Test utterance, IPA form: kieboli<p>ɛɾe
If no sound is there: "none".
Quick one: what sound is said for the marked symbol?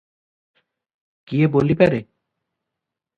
p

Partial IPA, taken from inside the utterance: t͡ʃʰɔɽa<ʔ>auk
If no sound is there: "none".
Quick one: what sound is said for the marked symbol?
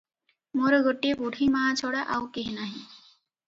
ʔ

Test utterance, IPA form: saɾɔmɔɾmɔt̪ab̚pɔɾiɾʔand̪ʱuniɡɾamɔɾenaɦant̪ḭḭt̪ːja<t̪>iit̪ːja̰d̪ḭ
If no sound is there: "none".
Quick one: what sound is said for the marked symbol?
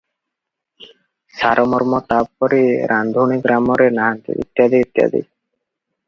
d̪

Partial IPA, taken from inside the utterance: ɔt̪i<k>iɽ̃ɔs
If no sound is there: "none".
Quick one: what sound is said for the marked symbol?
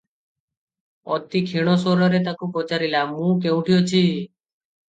kʰ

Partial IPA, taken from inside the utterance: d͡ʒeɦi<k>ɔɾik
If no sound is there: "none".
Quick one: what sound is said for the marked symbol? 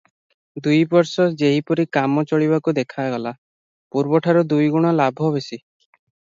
p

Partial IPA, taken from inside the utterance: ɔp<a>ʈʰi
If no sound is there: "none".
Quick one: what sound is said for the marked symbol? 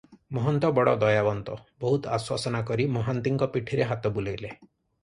i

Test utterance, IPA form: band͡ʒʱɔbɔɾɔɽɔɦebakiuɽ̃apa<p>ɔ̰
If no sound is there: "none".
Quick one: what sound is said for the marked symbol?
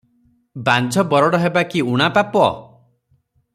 p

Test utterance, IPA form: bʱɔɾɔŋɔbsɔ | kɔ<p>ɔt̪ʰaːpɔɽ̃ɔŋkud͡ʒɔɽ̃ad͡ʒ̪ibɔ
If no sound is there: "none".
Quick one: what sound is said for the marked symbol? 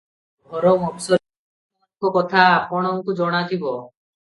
k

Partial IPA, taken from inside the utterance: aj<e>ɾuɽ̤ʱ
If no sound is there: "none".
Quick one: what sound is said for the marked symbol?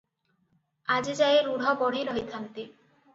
e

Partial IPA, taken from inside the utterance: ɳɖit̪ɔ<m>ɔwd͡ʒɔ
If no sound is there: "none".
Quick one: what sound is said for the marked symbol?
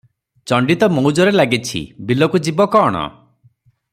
m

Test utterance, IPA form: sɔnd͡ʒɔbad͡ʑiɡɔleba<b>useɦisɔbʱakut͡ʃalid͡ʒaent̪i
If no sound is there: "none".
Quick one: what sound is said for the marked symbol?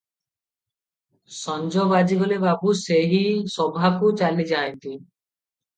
b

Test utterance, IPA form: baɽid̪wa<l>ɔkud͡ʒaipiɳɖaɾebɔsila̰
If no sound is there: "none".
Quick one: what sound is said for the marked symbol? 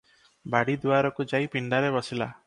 ɾ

